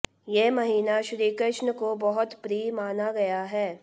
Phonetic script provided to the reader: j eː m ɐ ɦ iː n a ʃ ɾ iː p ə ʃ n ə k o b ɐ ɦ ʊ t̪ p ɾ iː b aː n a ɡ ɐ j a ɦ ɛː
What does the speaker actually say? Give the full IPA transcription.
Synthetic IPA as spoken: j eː m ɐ ɦ iː n a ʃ ɾ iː k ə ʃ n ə k o b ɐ ɦ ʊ t̪ p ɾ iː m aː n a ɡ ɐ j a ɦ ɛː

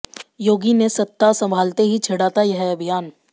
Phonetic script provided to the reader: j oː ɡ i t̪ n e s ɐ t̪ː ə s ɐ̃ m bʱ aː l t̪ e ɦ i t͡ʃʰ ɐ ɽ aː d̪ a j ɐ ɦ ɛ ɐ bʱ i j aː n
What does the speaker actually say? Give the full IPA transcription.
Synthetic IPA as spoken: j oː ɡ i n e s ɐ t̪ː a s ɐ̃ m bʱ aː l t̪ e ɦ i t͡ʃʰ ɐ ɽ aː t̪ a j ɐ ɦ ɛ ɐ bʱ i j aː n

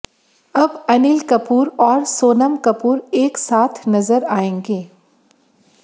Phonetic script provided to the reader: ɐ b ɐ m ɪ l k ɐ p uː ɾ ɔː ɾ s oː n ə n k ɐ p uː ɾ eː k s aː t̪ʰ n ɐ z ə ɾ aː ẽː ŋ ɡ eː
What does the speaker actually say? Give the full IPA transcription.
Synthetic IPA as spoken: ɐ b ɐ n ɪ l k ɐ p uː ɾ ɔː ɾ s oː n ə m k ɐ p uː ɾ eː k s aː t̪ʰ n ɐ z ə ɾ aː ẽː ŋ ɡ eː

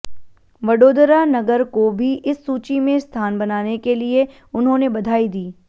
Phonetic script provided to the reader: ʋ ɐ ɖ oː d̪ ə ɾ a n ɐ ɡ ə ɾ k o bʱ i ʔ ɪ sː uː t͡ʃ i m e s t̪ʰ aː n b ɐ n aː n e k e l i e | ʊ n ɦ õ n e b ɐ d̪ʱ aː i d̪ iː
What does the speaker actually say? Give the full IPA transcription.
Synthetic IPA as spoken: ʋ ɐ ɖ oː d̪ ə ɾ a n ɐ ɡ ə ɾ k o bʱ i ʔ ɪ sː uː t͡ʃ i m ẽ s t̪ʰ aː n b ɐ n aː n e k e l i e | ʊ n ɦ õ n e b ɐ d̪ʱ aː i d̪ iː

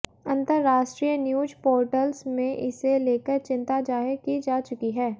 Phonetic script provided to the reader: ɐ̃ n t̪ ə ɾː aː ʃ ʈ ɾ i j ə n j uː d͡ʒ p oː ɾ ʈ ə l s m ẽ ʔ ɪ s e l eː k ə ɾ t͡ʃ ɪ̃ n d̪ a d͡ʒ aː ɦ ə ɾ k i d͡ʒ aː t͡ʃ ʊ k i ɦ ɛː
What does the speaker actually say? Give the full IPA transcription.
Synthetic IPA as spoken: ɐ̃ n t̪ ə ɾː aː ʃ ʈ ɾ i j ə n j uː d͡ʒ p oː ɾ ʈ ə l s m ẽ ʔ ɪ s e l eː k ə ɾ t͡ʃ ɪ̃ n t̪ a d͡ʒ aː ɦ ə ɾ k i d͡ʒ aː t͡ʃ ʊ k i ɦ ɛː

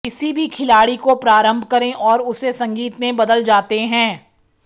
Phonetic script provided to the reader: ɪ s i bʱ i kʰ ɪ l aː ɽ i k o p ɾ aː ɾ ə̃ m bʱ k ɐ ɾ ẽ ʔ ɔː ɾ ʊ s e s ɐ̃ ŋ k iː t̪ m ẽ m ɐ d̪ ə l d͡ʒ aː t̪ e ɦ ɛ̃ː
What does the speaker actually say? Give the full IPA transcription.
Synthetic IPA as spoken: ɪ s i bʱ i kʰ ɪ l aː ɽ i k o p ɾ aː ɾ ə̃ m bʱ k ɐ ɾ ẽ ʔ ɔː ɾ ʊ s e s ɐ̃ ŋ ɡ iː t̪ m ẽ b ɐ d̪ ə l d͡ʒ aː t̪ e ɦ ɛ̃ː

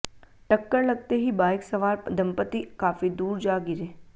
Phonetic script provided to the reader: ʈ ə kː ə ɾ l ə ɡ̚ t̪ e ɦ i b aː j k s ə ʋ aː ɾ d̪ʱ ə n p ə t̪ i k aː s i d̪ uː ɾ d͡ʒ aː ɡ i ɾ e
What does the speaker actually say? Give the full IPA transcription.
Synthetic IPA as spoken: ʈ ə kː ə ɾ l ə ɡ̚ t̪ e ɦ i b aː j k s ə ʋ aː ɾ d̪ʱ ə m p ə t̪ i k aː f i d̪ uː ɾ d͡ʒ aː ɡ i ɾ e

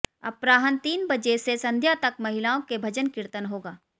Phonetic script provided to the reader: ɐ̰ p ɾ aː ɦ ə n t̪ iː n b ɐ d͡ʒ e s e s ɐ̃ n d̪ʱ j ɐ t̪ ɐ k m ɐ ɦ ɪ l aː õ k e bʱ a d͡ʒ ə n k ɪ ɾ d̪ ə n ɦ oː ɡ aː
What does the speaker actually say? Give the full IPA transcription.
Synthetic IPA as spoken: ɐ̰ p ɾ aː ɦ ə n t̪ iː n b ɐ d͡ʒ e s e s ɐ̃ n d̪ʱ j a t̪ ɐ k m ɐ ɦ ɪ l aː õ k e bʱ ɐ d͡ʒ ə n k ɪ ɾ t̪ ə n ɦ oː ɡ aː

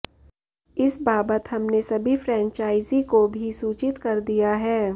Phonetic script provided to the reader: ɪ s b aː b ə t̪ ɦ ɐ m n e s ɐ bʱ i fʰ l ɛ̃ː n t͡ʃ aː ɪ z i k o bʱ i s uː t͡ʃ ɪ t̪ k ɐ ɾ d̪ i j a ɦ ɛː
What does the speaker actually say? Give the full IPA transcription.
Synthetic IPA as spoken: ɪ s b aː b ə t̪ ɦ ɐ m n e s ɐ bʱ i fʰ ɾ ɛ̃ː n t͡ʃ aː ɪ z i k o bʱ i s uː t͡ʃ ɪ t̪ k ɐ ɾ d̪ i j a ɦ ɛː

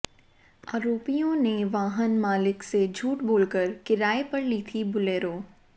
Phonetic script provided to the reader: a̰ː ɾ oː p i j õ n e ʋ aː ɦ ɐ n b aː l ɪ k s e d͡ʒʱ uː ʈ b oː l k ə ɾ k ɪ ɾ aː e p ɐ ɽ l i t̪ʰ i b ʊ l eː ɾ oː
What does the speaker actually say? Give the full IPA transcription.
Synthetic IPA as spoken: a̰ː ɾ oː p i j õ n e ʋ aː ɦ ə n m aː l ɪ k s e d͡ʒʱ uː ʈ b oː l k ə ɾ k ɪ ɾ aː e p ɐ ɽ l i t̪ʰ i b ʊ l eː ɾ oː

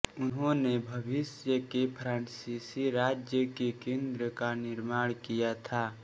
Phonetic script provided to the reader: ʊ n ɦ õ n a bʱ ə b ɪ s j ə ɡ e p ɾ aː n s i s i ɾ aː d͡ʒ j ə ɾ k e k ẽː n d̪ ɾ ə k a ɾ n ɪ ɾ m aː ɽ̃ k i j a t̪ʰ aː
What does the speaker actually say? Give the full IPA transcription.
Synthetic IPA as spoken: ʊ n ɦ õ n e bʱ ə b ɪ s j ə k e pʰ ɾ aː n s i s i ɾ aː d͡ʒ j ə k e k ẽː n d̪ ɾ ə k a n ɪ ɾ m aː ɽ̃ k i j a t̪ʰ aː

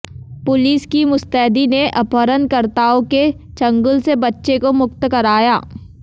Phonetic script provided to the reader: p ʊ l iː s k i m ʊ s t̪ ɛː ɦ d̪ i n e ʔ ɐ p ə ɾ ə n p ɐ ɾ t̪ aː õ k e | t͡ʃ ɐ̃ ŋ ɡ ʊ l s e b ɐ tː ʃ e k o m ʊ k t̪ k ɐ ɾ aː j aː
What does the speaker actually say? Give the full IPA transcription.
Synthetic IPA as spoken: p ʊ l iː s k i m ʊ s t̪ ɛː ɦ d̪ i n e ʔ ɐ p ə ɾ ə n k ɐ ɾ t̪ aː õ k e | t͡ʃ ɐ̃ ŋ ɡ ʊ l s e b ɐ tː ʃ e k o m ʊ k t̪ k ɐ ɾ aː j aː

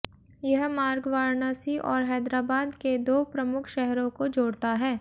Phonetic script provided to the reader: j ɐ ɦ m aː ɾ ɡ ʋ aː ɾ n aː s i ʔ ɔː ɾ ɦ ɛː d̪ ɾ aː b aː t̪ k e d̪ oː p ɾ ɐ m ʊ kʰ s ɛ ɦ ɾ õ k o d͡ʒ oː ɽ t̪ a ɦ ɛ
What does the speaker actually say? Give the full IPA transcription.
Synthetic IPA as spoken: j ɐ ɦ m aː ɾ ɡ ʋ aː ɾ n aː s i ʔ ɔː ɾ ɦ ɛː d̪ ɾ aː b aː d̪ k e d̪ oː p ɾ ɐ m ʊ kʰ ʃ ɛ ɦ ɾ õ k o d͡ʒ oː ɽ t̪ a ɦ ɛː

